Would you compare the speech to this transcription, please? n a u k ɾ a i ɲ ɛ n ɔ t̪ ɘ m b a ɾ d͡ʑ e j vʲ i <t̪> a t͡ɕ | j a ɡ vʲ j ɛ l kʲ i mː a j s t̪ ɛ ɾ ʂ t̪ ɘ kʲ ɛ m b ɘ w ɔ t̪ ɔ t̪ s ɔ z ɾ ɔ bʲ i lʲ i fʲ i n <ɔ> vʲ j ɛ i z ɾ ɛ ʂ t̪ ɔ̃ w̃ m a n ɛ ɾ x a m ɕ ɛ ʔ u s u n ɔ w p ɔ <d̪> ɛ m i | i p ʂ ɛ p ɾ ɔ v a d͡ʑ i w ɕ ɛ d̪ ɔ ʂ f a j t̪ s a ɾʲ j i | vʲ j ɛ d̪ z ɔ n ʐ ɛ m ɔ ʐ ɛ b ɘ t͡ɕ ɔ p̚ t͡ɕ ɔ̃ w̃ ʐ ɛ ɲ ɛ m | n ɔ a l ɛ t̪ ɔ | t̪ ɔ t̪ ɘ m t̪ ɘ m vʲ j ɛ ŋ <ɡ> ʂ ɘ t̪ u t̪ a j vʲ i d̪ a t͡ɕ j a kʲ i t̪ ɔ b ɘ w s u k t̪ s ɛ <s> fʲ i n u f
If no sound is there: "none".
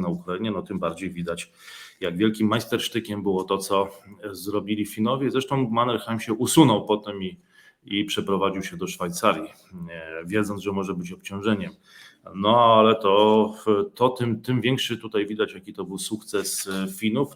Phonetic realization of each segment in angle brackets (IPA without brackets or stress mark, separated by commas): d̪, ɔ, t̪, k, s